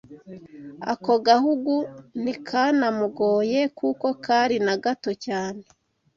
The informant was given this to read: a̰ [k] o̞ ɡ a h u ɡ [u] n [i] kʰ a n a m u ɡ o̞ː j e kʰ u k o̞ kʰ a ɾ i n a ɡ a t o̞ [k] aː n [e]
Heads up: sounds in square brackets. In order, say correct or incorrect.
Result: correct, correct, correct, incorrect: c, correct

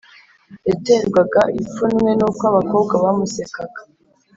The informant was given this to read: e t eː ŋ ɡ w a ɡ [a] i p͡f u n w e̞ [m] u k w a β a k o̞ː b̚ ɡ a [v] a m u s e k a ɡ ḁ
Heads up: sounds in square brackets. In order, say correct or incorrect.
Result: correct, incorrect: n, incorrect: β

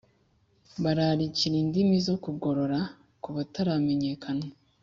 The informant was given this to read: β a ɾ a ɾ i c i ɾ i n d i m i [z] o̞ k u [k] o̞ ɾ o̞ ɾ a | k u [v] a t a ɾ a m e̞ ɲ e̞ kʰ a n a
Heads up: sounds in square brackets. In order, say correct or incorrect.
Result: correct, incorrect: ɡ, incorrect: β

